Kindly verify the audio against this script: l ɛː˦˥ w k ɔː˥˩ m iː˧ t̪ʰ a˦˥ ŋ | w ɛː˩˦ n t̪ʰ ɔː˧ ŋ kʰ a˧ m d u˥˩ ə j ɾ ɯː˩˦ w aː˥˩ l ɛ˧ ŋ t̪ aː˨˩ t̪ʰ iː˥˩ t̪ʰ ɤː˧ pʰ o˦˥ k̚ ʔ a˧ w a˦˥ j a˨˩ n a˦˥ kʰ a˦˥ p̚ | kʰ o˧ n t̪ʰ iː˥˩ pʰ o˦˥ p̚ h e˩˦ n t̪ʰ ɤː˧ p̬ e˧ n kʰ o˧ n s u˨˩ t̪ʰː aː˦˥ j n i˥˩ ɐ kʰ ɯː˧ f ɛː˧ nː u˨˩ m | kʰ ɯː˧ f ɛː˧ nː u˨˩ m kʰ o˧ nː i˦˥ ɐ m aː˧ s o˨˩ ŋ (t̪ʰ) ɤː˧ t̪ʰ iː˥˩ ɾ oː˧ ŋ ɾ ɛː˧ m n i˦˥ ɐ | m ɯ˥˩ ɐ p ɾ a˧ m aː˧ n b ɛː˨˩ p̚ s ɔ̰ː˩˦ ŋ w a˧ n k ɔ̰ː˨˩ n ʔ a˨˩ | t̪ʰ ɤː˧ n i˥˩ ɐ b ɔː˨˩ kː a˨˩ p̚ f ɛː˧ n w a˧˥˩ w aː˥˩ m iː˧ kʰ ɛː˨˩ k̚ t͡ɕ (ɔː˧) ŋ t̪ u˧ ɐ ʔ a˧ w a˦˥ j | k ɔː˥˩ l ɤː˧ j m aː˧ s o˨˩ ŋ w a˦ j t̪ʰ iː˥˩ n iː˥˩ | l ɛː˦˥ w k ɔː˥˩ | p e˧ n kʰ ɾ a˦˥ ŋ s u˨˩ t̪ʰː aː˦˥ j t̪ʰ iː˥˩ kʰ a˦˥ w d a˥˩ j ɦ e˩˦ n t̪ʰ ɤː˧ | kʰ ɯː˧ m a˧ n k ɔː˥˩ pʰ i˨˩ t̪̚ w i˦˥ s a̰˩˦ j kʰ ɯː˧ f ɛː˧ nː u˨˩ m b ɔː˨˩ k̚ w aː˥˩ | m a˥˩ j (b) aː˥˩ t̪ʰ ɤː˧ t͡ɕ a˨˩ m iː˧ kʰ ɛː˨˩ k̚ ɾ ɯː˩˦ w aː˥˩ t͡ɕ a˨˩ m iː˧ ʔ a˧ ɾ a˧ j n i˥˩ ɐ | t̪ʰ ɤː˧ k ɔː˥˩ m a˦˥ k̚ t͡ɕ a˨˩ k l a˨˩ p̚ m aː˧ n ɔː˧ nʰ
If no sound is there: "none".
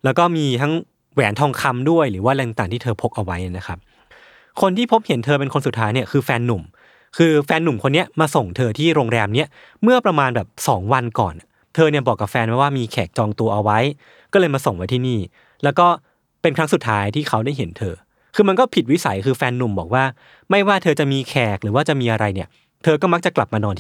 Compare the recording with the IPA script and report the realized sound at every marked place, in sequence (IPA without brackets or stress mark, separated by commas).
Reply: t̪ʰ, ɔː˧, w